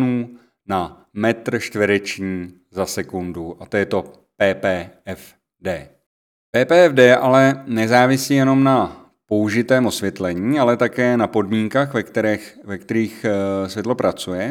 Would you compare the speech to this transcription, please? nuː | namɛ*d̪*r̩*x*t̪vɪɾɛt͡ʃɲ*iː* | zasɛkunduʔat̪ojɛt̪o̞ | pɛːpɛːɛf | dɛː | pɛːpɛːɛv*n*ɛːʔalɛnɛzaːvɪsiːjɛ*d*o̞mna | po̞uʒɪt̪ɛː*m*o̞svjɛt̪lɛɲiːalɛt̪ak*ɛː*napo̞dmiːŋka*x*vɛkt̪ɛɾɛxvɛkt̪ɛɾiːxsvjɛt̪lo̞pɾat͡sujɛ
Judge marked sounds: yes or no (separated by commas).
no, no, yes, no, no, yes, yes, yes